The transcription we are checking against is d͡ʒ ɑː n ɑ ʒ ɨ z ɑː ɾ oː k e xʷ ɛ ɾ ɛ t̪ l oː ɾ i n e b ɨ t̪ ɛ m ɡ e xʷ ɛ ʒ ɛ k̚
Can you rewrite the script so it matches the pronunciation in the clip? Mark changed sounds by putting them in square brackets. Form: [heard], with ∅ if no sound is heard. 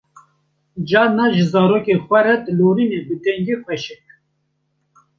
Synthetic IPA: d͡ʒ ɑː n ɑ ʒ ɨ z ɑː ɾ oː k e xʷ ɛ ɾ ɛ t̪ l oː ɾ i n e b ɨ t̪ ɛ [ŋ] ɡ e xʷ ɛ [ʃ] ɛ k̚